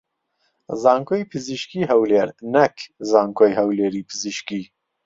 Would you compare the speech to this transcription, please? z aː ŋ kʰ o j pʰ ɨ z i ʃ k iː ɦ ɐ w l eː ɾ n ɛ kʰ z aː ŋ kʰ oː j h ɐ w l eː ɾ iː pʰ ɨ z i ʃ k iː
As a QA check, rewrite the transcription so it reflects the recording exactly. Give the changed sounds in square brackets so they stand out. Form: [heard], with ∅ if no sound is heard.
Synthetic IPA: z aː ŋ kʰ o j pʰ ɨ z i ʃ k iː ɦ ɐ w l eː ɾ n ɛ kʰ z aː ŋ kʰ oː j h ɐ w l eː ɾ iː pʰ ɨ z i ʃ k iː